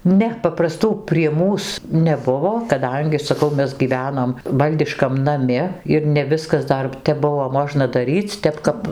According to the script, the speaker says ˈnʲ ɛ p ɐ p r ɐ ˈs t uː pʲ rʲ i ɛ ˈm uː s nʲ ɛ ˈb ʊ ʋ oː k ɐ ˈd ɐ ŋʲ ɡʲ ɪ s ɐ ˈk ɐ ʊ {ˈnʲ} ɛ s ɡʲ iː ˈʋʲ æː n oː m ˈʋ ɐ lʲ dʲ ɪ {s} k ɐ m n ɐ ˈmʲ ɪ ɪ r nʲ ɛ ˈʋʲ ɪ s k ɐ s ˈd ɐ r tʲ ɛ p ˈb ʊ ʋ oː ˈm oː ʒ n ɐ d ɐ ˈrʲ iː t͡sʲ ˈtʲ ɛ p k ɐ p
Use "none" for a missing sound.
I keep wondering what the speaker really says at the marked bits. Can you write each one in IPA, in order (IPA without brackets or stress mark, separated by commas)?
mʲ, ʃ